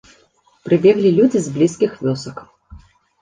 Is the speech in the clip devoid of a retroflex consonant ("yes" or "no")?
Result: yes